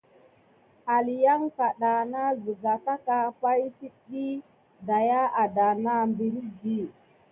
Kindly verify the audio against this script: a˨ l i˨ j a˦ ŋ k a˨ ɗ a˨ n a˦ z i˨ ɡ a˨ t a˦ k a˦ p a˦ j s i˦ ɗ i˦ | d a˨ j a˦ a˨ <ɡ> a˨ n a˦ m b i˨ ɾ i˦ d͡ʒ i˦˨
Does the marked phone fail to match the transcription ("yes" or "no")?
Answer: yes